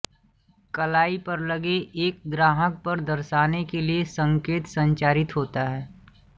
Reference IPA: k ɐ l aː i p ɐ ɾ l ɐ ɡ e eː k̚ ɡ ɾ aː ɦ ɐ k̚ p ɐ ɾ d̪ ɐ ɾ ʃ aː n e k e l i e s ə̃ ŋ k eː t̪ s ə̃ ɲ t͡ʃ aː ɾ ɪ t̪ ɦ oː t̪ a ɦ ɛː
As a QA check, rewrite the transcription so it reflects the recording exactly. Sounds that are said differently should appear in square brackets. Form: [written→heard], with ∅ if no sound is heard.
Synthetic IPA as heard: k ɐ l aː i p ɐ ɾ l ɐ ɡ e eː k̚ ɡ ɾ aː ɦ [ɐ→ə] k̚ p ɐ ɾ d̪ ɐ ɾ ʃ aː n e k e l i e s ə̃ ŋ k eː t̪ s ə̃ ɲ t͡ʃ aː ɾ ɪ t̪ ɦ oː t̪ a ɦ ɛː